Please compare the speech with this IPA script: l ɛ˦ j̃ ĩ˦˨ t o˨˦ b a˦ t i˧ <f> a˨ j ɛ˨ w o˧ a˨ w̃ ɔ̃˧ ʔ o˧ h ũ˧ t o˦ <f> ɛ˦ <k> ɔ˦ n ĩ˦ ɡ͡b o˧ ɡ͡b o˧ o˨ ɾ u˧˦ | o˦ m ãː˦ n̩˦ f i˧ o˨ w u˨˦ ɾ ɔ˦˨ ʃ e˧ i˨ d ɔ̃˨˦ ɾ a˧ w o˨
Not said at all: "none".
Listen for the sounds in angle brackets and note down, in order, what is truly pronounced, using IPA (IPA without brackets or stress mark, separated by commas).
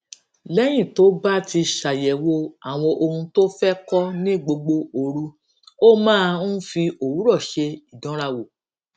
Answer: ʃ, f, k